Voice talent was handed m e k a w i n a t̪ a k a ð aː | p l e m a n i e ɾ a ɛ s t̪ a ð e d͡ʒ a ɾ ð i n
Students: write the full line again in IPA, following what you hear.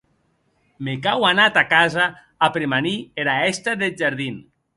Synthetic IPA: m e k a w a n a t̪ a k a z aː | p ɾ e m a n i e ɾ a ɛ s t̪ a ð e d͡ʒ a ɾ ð i n